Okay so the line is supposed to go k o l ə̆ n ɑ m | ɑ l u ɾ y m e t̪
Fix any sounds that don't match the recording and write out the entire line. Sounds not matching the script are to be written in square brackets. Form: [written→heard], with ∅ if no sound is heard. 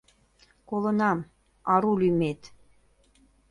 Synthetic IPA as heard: k o l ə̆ n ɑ m | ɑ [l→ɾ] u [ɾ→l] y m e t̪